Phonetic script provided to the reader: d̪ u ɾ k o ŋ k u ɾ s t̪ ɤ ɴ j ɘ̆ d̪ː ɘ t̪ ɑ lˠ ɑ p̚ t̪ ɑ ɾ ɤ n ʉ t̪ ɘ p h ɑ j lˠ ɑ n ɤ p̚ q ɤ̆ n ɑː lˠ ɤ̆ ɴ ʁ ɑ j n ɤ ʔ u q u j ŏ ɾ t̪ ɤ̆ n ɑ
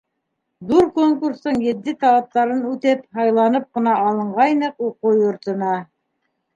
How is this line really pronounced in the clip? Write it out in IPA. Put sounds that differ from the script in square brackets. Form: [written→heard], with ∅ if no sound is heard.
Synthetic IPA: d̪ u ɾ k o ŋ k u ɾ s t̪ ɤ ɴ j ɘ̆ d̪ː ɘ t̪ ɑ lˠ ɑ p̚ t̪ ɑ ɾ ɤ n ʉ t̪ ɘ p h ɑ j lˠ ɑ n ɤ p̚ q ɤ̆ n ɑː lˠ ɤ̆ ɴ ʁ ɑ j n ɤ [ʔ→q] u q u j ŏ ɾ t̪ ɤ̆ n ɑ